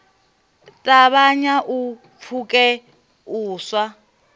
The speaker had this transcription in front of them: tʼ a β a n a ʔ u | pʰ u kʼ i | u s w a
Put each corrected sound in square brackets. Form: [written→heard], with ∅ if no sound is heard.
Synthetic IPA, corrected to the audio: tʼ a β a [n→ɲ] a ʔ u | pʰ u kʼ [i→ɛ] | [u→uː] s w a